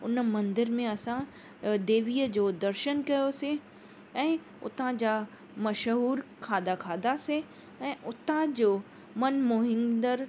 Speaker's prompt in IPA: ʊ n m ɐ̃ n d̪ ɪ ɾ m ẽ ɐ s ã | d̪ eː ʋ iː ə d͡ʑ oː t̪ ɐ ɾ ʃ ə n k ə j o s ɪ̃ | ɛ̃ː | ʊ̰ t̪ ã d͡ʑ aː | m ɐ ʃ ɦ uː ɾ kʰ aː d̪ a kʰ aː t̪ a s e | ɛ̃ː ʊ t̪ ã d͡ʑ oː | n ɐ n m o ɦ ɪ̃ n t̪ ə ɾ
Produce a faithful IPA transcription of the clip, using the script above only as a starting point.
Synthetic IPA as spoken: ʊ n m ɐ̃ n d̪ ɪ ɾ m ẽ ɐ s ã | d̪ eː ʋ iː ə d͡ʑ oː d̪ ɐ ɾ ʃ ə n k ɐ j o s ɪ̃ | ɛ̃ː | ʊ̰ t̪ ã d͡ʑ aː | m ɐ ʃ ɦ uː ɾ kʰ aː d̪ a kʰ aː d̪ a s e | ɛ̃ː ʊ t̪ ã d͡ʑ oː | m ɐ n m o ɦ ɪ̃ n d̪ ə ɾ